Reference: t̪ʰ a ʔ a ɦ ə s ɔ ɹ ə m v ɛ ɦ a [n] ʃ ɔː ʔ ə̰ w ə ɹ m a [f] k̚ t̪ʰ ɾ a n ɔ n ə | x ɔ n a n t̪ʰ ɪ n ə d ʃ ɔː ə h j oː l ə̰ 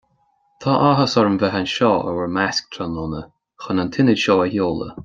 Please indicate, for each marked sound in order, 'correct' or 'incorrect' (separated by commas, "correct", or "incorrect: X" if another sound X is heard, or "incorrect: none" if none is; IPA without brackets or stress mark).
correct, incorrect: s